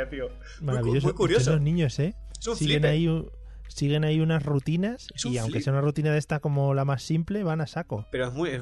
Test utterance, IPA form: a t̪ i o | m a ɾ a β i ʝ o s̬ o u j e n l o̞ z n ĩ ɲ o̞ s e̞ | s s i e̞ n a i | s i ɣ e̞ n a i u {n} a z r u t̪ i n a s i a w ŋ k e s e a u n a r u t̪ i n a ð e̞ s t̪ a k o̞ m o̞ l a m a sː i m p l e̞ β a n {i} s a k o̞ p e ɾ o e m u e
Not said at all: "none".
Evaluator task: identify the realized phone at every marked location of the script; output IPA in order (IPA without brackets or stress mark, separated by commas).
n, a